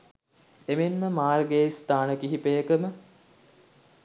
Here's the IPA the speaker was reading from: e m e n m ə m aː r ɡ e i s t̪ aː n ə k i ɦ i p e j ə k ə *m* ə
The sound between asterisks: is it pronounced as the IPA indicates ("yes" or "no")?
yes